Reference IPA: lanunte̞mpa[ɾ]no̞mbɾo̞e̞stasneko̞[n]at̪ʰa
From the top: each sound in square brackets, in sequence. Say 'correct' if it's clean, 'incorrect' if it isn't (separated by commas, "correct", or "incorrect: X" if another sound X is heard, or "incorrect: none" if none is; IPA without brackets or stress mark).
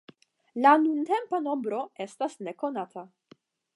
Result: incorrect: none, correct